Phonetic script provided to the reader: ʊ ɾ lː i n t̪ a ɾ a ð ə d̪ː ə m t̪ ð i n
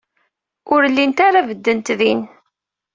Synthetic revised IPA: ʊ ɾ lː i n t̪ a ɾ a v ə d̪ː ə n t̪ ð i n